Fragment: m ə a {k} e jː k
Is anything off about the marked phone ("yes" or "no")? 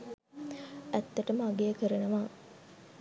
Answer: yes